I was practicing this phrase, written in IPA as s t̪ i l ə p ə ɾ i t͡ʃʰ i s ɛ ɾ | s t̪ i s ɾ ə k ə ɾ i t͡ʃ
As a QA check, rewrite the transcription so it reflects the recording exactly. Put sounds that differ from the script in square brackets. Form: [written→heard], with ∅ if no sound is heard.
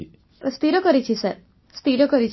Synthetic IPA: s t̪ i [l→ɾ] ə [p→k] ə ɾ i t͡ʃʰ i s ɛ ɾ | s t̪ i [s→∅] ɾ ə k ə ɾ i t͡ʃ